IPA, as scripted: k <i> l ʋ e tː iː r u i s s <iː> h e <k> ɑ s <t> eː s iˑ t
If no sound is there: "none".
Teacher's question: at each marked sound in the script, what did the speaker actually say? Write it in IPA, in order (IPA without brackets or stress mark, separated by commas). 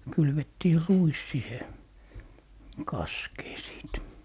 y, i, k, k